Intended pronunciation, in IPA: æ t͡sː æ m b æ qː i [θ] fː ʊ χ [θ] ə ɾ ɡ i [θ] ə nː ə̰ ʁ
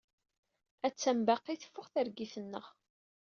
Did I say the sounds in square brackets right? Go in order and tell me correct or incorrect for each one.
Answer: correct, correct, correct

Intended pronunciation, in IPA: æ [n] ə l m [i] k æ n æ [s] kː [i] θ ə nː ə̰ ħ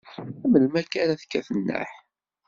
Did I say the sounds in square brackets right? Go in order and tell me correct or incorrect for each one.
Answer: incorrect: m, incorrect: æ, incorrect: θ, incorrect: æ

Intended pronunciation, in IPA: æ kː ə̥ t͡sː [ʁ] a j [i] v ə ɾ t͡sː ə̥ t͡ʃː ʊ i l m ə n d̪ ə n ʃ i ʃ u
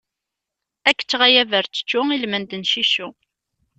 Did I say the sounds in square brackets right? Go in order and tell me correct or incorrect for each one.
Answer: correct, incorrect: æ

